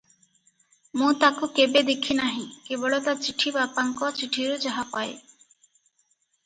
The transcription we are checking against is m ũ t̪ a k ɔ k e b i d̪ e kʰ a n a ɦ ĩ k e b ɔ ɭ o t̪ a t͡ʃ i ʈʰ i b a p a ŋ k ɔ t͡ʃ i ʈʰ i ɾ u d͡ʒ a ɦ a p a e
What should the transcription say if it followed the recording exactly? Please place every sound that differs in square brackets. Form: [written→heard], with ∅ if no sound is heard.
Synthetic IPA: m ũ t̪ a k [ɔ→u] k e b [i→e] d̪ e kʰ [a→i] n a ɦ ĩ k e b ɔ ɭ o t̪ a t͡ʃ i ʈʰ i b a p a ŋ k ɔ t͡ʃ i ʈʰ i ɾ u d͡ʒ a ɦ a p a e